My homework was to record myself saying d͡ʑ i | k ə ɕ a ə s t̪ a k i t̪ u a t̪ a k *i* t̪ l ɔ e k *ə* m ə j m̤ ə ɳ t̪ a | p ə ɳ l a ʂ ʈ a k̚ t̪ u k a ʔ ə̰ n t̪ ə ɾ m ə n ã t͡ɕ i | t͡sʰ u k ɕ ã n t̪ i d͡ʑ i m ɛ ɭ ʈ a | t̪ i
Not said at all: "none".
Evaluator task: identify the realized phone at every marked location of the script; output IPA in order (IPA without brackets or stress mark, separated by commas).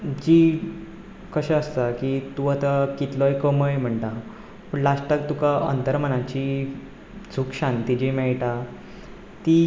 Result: i, ə